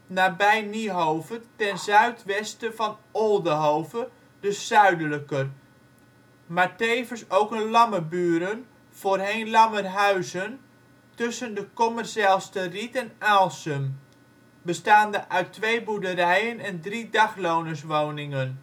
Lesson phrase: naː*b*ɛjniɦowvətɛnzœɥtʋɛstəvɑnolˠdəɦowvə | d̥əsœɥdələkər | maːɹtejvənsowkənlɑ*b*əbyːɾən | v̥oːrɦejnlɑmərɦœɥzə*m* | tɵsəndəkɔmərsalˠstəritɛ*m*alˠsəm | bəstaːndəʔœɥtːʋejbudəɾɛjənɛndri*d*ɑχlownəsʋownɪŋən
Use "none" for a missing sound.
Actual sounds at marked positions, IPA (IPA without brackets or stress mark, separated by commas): b, m, n, n, d